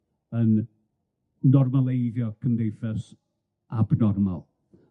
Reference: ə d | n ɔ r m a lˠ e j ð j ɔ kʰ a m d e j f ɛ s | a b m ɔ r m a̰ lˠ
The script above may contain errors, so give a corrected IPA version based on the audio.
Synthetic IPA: ə n | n ɔ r m a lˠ e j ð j ɔ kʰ ə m d e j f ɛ s | a b n ɔ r m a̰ lˠ